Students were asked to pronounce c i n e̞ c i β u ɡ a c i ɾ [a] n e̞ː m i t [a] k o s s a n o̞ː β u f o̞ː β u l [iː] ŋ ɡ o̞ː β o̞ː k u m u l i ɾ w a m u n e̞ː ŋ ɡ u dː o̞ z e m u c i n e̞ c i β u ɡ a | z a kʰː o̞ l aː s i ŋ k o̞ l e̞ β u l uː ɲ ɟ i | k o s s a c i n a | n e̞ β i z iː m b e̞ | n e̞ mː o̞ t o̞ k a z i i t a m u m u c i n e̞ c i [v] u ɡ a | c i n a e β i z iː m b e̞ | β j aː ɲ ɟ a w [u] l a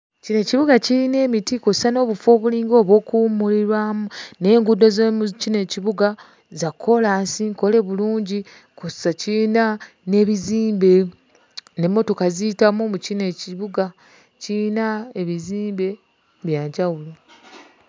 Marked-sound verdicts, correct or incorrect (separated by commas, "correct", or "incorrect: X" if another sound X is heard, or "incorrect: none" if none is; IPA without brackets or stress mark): incorrect: i, incorrect: i, correct, incorrect: β, correct